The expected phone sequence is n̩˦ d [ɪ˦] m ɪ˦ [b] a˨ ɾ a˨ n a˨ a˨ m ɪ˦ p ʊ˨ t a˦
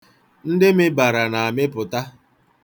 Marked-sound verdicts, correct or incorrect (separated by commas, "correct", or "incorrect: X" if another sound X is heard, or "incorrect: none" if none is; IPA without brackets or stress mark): correct, correct